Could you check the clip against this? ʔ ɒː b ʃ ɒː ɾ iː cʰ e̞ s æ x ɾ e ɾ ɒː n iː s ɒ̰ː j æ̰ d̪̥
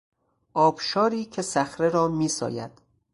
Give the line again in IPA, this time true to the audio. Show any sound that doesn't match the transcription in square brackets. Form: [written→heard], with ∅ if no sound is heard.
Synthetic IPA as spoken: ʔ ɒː b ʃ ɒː ɾ iː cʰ e̞ s æ x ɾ e ɾ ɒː [n→m] iː s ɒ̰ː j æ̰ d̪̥